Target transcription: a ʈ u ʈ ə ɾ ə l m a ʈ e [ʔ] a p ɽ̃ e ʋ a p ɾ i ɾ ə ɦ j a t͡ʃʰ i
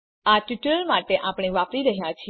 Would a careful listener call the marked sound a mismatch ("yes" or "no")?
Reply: no